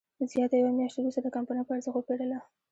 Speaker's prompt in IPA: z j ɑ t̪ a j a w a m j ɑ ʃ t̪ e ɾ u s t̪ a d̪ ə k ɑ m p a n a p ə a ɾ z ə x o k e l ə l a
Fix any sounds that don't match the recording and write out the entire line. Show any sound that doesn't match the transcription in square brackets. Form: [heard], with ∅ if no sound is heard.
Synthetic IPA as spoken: z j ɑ t̪ a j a w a m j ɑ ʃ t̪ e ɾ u s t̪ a d̪ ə k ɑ m p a n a p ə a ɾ z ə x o [p] e [ɽ] ə l a